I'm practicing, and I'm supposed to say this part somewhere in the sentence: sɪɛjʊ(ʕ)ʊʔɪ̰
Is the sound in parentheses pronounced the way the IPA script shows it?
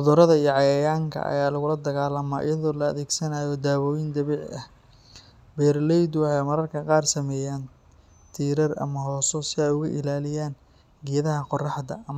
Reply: no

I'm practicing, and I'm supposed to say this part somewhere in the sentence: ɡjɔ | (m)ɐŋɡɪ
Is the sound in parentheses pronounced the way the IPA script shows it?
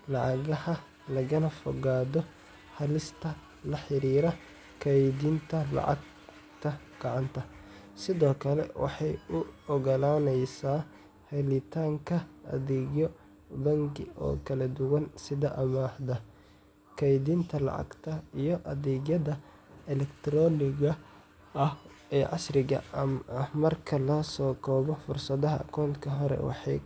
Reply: no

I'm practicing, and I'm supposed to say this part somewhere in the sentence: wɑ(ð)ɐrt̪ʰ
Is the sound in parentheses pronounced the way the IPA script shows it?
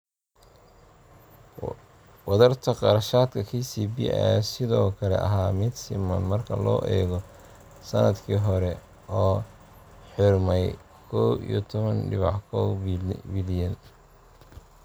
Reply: yes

